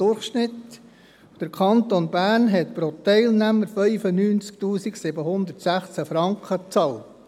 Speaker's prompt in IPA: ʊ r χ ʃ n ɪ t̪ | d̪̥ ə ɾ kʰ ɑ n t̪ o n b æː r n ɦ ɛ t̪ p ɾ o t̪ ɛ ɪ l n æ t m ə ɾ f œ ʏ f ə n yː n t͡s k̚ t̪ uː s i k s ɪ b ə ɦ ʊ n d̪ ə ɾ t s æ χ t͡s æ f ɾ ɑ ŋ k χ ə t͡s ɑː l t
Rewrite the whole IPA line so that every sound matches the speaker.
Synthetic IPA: ʊ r χ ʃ n ɪ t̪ | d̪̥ ə ɾ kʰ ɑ n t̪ o n b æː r n ɦ ɛ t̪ p ɾ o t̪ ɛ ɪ l n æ m ə ɾ f œ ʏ f ə n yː n t͡s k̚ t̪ uː s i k s ɪ b ə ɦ ʊ n d̪ ə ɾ t s æ χ t͡s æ f ɾ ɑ ŋ k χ ə t͡s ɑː l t